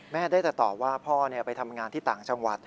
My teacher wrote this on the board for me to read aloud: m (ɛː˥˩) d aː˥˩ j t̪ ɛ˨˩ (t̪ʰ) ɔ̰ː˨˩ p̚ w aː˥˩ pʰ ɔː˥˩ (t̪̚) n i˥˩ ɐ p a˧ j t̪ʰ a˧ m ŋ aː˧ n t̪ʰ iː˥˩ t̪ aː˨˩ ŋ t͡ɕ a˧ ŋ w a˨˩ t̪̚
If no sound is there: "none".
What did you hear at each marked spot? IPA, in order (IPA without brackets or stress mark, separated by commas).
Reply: ɛː˥˩, t̪, none